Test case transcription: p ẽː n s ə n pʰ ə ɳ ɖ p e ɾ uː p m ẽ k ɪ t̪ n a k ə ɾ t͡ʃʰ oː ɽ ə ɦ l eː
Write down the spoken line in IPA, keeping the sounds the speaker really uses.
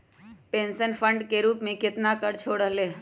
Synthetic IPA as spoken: p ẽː n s ə n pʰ ə ɳ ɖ k e ɾ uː p m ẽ k ɪ t̪ n a k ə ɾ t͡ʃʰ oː ɽ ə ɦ l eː

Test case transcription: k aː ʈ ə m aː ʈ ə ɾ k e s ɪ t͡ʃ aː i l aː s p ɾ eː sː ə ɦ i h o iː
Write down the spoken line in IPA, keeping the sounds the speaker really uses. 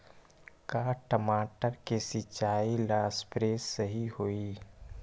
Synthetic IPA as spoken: k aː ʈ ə m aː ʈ ə ɾ k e s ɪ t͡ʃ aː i l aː s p ɾ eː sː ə ɦ i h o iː

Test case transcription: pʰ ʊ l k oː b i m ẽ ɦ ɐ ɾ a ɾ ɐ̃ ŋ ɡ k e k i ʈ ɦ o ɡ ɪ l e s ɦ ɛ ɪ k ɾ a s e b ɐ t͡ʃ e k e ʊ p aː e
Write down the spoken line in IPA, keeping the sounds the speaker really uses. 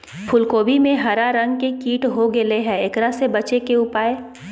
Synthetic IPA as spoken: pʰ ʊ l k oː b i m ẽ ɦ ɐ ɾ a ɾ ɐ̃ ŋ ɡ k e k iː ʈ ɦ o ɡ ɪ l e ɦ ɛ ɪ k ɾ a s e b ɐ t͡ʃ e k e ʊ p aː e

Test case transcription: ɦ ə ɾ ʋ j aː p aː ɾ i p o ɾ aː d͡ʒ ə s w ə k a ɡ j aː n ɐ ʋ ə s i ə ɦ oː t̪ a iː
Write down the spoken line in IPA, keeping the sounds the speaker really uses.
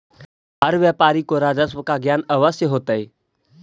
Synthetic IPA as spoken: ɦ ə ɾ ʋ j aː p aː ɾ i k o ɾ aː d͡ʒ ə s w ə k a ɡ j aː n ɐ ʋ ə s j ə ɦ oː t̪ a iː

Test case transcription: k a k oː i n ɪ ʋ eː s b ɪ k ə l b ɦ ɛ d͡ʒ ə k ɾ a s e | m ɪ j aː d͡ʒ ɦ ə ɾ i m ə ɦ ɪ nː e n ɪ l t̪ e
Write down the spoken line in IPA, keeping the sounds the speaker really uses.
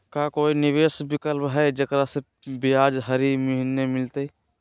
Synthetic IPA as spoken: k a k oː i n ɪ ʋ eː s b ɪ k ə l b ɦ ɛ d͡ʒ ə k ɾ a s e | b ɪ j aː d͡ʒ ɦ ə ɾ i m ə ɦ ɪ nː e m ɪ l t̪ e

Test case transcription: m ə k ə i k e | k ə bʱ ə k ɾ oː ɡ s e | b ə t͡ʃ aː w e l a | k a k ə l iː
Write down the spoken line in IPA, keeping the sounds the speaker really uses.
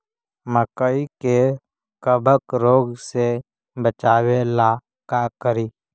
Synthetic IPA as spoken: m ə k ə i k e | k ə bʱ ə k ɾ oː ɡ s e | b ə t͡ʃ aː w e l a | k a k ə ɾ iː

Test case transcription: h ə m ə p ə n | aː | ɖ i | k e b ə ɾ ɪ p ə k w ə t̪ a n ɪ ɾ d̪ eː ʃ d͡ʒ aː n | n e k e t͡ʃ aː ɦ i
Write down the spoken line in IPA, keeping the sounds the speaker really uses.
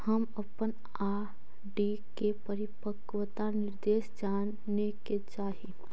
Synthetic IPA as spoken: h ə m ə p ə n | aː | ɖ i | k e p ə ɾ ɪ p ə k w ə t̪ a n ɪ ɾ d̪ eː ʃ d͡ʒ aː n | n e k e t͡ʃ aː ɦ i

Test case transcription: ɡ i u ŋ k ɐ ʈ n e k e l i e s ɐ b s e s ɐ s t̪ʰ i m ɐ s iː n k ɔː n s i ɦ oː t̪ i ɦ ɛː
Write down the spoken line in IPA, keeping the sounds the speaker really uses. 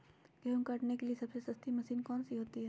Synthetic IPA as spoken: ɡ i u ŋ k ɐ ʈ n e k e l i e s ɐ b s e s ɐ s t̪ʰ i m ɐ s iː n k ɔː n s i ɦ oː t̪ i ɦ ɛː

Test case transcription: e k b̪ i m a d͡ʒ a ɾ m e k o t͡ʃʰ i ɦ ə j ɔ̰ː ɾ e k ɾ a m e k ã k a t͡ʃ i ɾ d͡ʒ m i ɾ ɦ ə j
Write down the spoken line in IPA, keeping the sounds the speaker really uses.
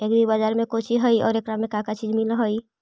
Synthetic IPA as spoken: e k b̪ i b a d͡ʒ a ɾ m e k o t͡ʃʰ i ɦ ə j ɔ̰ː ɾ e k ɾ a m e k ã k a t͡ʃ i d͡ʒ m i l ɦ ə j

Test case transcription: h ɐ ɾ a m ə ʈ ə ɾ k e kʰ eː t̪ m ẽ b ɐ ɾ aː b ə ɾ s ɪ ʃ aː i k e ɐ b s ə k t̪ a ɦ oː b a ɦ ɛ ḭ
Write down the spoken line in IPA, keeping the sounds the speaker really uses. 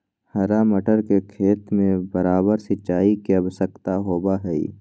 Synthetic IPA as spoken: h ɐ ɾ a m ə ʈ ə ɾ k e kʰ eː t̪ m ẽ b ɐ ɾ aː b ə ɾ s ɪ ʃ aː i k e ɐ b s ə k t̪ a ɦ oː b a ɦ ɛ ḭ

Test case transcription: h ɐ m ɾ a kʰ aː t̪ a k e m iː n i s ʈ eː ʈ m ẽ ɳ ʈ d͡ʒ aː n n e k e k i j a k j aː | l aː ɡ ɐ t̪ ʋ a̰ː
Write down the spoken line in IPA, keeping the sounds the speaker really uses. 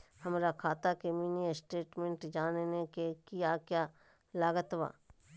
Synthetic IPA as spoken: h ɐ m ɾ a kʰ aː t̪ a k e m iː n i s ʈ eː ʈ m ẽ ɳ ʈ d͡ʒ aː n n e k e k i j a k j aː | l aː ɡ ə t̪ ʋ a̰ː

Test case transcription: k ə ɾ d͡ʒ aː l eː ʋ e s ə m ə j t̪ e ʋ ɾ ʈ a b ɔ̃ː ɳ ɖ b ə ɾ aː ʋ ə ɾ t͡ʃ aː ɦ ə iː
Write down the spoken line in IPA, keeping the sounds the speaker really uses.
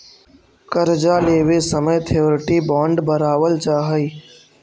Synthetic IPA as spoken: k ə ɾ d͡ʒ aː l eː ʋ e s ə m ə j t̪ʰ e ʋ ɾ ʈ i b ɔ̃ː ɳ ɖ b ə ɾ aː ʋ ə l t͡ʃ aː ɦ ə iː

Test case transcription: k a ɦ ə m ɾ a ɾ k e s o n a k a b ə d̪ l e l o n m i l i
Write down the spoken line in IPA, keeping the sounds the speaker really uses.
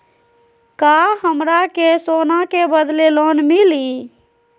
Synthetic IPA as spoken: k a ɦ ə m ɾ a k e s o n a k e b ə d̪ l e l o n m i l i

